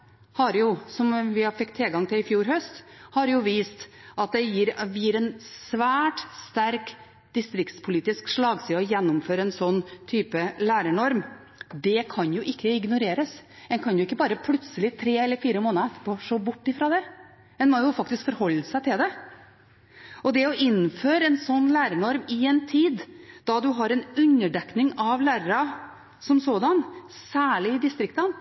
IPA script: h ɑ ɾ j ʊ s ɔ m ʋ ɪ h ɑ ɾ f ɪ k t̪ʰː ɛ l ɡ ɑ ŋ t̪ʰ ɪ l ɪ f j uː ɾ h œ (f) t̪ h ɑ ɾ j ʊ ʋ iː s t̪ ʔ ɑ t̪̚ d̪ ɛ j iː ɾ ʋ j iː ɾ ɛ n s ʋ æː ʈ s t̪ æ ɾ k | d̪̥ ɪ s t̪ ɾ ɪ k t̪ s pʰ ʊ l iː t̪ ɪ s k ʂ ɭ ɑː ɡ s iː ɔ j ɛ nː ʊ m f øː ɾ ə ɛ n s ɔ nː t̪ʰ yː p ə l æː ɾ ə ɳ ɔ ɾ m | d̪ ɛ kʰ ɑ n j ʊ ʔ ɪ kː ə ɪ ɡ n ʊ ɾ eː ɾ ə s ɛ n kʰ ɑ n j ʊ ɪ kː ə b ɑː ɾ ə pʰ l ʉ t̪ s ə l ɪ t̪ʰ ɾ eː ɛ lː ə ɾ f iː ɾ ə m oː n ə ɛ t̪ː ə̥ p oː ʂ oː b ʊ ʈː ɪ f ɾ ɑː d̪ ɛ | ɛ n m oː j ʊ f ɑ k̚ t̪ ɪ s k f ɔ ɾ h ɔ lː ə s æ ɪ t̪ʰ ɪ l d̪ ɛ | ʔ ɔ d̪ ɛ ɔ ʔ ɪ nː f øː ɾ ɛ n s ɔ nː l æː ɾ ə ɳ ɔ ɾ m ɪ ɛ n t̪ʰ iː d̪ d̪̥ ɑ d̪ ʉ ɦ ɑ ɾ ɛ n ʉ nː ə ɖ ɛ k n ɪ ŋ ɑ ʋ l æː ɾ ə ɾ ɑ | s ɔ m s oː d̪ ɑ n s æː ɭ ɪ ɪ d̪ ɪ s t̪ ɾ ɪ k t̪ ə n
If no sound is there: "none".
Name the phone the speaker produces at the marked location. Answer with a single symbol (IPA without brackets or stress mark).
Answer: s